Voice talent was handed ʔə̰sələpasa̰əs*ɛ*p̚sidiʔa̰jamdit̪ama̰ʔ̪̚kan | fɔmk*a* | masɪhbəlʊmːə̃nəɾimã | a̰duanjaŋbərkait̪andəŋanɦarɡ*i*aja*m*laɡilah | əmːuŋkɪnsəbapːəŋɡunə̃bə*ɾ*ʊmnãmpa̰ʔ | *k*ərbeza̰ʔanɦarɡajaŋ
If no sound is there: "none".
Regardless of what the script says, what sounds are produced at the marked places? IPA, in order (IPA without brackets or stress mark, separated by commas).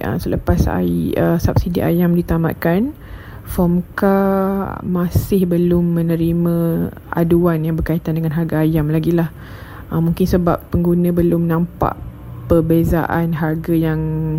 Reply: a, a, a, m, l, p